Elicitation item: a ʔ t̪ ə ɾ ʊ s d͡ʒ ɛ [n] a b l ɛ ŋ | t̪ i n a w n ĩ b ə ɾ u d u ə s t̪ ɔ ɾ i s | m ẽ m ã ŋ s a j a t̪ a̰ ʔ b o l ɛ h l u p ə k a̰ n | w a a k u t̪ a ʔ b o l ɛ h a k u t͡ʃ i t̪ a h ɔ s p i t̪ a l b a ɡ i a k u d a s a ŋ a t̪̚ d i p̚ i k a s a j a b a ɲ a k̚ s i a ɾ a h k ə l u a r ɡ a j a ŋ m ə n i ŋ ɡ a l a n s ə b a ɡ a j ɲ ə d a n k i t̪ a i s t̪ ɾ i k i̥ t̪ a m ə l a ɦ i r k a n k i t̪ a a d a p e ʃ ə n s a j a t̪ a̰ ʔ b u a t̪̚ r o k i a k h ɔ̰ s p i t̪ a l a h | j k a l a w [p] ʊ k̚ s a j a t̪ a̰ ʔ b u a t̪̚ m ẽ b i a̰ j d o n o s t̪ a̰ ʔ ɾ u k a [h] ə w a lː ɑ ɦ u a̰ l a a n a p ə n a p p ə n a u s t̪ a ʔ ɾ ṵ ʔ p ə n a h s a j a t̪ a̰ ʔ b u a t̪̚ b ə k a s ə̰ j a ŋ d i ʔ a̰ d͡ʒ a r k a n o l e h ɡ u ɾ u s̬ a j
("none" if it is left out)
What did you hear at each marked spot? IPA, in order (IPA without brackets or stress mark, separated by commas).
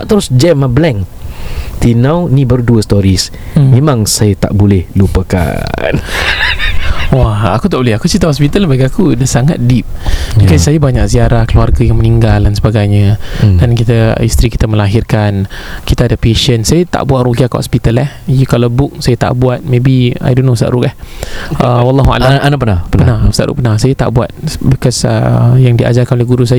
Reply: m, b, h